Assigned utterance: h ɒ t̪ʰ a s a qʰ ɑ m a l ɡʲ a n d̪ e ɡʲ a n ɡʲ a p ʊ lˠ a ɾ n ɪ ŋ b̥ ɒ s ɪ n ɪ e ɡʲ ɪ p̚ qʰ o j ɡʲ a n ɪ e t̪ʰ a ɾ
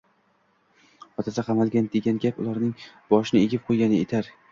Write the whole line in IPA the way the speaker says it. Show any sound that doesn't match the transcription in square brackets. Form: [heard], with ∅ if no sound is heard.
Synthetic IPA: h ɒ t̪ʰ a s a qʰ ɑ m a l ɡʲ a n d̪ e ɡʲ a n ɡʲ a p ʊ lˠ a ɾ n ɪ ŋ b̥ ɒ [ʃ] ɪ n ɪ e ɡʲ ɪ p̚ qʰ o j ɡʲ a n ɪ e t̪ʰ a ɾ